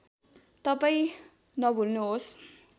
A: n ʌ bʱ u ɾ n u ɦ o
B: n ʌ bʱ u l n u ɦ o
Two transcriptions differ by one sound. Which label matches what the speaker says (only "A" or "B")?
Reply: B